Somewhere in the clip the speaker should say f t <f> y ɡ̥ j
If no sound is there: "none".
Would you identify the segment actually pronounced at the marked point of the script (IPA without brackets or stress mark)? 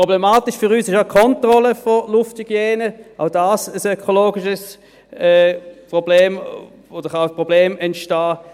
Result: h